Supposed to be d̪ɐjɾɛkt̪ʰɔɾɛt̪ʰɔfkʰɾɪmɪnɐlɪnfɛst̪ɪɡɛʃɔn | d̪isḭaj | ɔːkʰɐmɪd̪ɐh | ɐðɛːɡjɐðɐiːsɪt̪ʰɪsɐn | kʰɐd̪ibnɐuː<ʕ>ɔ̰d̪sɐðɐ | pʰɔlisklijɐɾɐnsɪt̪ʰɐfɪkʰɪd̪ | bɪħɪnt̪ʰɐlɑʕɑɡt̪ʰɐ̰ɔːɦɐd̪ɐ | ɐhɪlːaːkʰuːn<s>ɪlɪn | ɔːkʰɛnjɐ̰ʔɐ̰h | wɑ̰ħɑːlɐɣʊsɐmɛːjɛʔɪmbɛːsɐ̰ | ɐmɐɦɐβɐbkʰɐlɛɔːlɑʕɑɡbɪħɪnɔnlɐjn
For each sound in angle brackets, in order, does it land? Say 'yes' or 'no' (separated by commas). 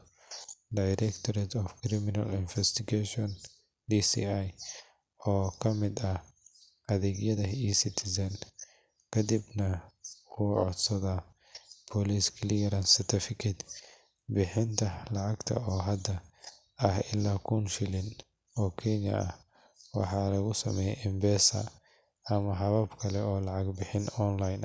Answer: yes, no